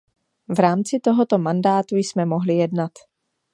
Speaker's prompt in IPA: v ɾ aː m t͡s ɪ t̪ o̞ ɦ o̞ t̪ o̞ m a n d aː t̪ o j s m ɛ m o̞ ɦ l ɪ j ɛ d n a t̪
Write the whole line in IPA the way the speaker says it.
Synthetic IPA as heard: v ɾ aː m t͡s ɪ t̪ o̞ ɦ o̞ t̪ o̞ m a n d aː t̪ u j s m ɛ m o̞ ɦ l ɪ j ɛ d n a t̪